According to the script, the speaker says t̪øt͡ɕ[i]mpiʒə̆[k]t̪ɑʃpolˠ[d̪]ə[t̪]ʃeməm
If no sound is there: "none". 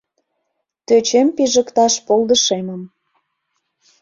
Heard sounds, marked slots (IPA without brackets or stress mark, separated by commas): e, k, d̪, none